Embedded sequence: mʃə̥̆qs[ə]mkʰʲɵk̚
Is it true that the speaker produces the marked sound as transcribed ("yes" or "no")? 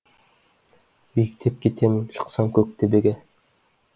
no